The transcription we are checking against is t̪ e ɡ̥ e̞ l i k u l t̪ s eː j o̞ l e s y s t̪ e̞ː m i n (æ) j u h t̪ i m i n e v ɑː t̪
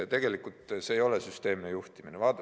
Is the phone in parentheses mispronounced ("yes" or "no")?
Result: yes